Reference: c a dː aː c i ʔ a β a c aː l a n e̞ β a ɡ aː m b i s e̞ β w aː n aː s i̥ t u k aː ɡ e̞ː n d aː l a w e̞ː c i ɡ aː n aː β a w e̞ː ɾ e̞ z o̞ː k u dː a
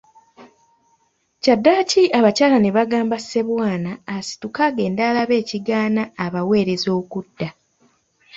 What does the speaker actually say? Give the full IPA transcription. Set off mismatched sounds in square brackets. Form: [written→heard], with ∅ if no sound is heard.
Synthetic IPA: c a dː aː c i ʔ a β a c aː l a n e̞ β a ɡ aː m b [i→a] s e̞ β w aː n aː s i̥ t u k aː ɡ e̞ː n d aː l a [w→β] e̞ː c i ɡ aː n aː β a w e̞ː ɾ e̞ z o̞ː k u dː a